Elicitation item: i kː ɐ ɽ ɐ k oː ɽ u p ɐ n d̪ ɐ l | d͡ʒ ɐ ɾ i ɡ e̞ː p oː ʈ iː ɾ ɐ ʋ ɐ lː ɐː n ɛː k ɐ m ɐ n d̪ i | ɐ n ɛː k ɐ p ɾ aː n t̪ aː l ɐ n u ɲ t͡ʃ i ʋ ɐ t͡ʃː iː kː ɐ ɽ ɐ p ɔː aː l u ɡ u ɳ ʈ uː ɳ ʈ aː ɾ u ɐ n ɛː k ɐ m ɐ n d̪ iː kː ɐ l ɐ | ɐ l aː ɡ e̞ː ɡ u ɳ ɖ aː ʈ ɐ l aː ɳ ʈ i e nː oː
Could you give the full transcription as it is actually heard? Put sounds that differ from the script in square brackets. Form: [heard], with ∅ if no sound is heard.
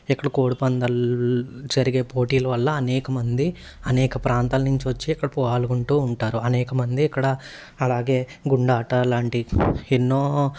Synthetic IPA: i kː ɐ ɽ ɐ k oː ɽ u p ɐ n d̪ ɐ l | d͡ʒ ɐ ɾ i ɡ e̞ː p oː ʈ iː [l] ɐ ʋ ɐ lː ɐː n ɛː k ɐ m ɐ n d̪ i | ɐ n ɛː k ɐ p ɾ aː n t̪ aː l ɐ n u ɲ t͡ʃ i ʋ ɐ t͡ʃː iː kː ɐ ɽ ɐ p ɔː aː l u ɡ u ɳ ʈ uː ɳ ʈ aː ɾ u ɐ n ɛː k ɐ m ɐ n d̪ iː kː ɐ [ɽ] ɐ | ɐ l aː ɡ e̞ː ɡ u ɳ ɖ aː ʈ ɐ l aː ɳ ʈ i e nː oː